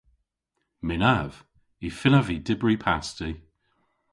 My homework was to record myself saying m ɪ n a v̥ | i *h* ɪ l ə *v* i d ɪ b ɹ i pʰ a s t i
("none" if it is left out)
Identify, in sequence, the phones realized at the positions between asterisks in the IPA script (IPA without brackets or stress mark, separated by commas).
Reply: f, v